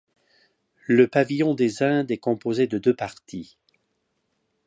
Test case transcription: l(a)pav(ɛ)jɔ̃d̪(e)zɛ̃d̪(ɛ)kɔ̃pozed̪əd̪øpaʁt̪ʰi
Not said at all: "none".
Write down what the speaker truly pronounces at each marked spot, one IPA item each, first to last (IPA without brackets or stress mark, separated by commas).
ə, i, e, ɛ